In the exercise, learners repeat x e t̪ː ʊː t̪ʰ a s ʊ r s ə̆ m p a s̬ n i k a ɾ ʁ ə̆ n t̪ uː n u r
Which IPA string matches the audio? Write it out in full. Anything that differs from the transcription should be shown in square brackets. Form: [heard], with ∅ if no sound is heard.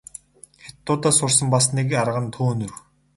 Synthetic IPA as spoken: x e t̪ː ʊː [t̪] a s ʊ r s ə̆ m p a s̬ n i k a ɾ ʁ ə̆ n [t̪ʰ] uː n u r